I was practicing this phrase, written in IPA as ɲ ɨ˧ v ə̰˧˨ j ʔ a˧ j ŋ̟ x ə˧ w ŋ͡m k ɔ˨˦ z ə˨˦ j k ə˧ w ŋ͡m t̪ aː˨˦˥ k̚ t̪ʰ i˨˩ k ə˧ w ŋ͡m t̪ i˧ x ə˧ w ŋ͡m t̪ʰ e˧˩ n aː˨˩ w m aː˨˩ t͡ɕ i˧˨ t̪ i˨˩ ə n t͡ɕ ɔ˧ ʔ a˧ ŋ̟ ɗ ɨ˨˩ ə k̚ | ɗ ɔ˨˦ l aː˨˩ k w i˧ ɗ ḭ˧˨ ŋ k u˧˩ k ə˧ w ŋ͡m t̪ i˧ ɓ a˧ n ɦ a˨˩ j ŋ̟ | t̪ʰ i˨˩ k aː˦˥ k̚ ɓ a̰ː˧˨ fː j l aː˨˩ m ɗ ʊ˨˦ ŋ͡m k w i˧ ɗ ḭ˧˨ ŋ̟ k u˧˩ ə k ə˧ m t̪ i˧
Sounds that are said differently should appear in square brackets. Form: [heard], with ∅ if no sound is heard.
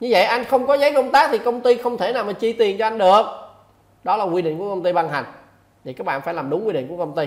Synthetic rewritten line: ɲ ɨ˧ v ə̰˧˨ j ʔ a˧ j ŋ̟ x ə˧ w ŋ͡m k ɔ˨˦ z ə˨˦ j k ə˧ w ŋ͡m t̪ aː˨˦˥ k̚ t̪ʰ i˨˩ k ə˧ w ŋ͡m t̪ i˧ x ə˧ w ŋ͡m t̪ʰ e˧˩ n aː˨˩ w m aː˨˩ t͡ɕ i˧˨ t̪ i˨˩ ə n t͡ɕ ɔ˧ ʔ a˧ ŋ̟ ɗ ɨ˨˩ ə k̚ | ɗ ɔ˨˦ l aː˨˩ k w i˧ ɗ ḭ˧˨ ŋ k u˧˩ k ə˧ w ŋ͡m t̪ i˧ ɓ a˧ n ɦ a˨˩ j ŋ̟ | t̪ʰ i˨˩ k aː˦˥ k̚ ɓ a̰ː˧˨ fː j l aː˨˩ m ɗ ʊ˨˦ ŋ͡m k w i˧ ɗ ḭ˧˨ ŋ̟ k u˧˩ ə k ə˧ [ŋ͡m] t̪ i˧